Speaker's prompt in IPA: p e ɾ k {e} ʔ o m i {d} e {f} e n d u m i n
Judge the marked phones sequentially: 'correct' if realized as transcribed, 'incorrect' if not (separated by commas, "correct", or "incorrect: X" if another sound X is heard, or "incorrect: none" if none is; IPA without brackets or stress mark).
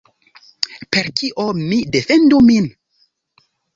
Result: incorrect: i, correct, correct